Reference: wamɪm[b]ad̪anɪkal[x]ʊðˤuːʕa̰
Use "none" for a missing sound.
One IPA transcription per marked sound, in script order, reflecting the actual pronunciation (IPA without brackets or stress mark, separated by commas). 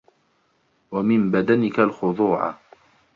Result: b, x